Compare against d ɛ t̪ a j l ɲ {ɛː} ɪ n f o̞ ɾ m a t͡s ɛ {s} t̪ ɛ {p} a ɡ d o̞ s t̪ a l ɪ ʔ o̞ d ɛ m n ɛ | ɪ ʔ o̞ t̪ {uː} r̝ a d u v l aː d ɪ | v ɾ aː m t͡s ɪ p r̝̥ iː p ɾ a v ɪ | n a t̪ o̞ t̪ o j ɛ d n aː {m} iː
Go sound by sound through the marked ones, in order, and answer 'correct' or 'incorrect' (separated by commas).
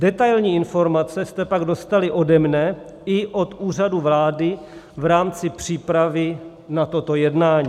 incorrect, correct, correct, correct, incorrect